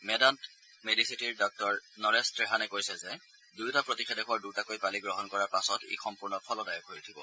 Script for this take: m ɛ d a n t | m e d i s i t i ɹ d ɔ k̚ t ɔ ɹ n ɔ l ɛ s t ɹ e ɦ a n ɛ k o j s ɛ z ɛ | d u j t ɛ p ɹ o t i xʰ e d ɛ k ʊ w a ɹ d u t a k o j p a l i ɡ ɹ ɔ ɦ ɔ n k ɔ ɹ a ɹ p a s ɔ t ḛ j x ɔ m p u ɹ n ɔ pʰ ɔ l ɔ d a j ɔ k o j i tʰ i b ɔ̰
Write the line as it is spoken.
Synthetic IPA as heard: m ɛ d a n t | m e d i s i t i ɹ d ɔ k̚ t ɔ ɹ n ɔ ɹ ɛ s t ɹ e ɦ a n ɛ k o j s ɛ z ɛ | d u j t a p ɹ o t i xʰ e d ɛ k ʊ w a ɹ d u t a k o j p a l i ɡ ɹ ɔ ɦ ɔ n k ɔ ɹ a ɹ p a s ɔ t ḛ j x ɔ m p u ɹ n ɔ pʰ ɔ l ɔ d a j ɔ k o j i tʰ i b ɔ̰